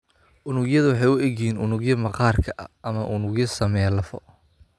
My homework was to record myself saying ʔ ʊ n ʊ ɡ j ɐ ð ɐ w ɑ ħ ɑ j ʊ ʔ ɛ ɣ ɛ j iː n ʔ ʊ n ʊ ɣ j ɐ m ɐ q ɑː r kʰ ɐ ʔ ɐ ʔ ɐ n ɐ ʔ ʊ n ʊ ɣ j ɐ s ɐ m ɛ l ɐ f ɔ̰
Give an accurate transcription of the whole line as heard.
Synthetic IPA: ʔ ʊ n ʊ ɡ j ɐ ð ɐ w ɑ ħ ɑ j ʊ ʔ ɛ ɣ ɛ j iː n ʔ ʊ n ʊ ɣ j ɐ m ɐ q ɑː r kʰ ɐ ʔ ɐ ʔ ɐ m ɐ ʔ ʊ n ʊ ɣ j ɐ s ɐ m ɛ l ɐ f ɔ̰